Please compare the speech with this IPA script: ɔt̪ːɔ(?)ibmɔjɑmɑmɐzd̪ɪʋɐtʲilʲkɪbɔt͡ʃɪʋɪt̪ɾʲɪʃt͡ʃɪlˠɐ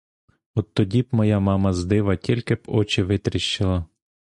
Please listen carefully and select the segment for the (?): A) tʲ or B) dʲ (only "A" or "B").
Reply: B